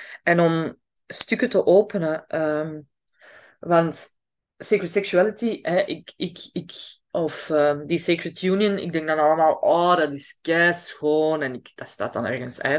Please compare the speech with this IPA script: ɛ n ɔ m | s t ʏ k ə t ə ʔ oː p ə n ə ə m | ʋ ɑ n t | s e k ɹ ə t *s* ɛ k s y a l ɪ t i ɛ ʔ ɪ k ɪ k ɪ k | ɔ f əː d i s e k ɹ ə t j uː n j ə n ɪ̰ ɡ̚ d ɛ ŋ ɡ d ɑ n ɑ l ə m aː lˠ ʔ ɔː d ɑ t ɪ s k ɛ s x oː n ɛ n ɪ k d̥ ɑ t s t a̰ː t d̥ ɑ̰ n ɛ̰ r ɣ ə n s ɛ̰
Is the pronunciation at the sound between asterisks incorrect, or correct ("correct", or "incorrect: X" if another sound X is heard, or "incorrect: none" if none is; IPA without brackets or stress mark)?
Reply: correct